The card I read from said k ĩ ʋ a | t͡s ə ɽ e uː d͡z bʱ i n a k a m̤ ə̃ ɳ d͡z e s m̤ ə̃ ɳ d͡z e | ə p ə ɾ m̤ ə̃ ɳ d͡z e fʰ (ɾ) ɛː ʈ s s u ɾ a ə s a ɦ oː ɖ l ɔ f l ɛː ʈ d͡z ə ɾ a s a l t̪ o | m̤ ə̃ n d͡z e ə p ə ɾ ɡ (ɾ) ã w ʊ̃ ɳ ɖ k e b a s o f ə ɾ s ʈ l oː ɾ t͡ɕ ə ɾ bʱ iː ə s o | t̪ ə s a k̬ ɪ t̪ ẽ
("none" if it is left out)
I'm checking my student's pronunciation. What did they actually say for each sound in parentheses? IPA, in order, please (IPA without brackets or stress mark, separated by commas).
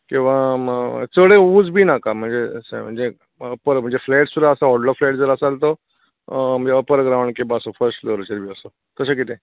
l, ɾ